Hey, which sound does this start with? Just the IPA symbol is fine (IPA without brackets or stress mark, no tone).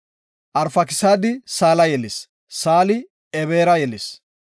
ʔ